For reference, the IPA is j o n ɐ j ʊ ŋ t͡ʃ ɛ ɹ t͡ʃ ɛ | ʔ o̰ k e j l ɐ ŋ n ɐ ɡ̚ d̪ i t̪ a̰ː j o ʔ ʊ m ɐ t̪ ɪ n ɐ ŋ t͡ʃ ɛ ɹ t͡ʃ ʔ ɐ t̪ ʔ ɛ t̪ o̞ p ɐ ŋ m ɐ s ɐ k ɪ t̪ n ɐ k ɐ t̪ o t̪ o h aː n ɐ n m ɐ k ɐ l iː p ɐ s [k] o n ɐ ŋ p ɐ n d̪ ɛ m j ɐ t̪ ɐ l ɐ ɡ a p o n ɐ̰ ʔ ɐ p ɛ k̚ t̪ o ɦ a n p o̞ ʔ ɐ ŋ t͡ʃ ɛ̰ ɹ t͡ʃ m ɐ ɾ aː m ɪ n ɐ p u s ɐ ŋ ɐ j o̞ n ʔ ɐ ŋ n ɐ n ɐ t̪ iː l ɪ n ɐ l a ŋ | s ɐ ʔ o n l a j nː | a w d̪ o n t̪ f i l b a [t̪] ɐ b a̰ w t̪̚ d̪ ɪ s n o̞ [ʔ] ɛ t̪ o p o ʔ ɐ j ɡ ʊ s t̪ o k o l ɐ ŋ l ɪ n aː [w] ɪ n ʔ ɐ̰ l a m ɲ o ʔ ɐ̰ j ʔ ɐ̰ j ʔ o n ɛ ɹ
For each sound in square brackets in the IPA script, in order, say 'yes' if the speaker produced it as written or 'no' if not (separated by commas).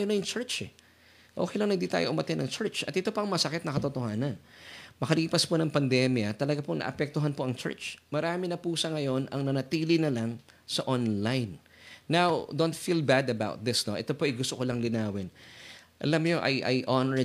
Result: no, no, yes, yes